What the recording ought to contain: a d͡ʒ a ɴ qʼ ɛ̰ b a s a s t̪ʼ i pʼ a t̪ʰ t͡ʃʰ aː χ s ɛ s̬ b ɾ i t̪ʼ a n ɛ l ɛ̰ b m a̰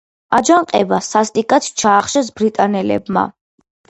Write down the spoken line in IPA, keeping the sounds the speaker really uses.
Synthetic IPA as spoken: a d͡ʒ a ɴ qʼ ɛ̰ b a s a s t̪ʼ i kʼ a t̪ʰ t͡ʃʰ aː χ ʃ ɛ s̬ b ɾ i t̪ʼ a n ɛ l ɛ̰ b m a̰